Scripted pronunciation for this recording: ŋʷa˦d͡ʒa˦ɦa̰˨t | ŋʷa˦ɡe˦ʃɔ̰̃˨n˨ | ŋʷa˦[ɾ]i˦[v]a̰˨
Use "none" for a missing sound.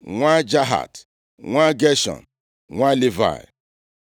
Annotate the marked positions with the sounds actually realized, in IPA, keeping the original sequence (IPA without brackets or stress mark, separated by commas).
l, v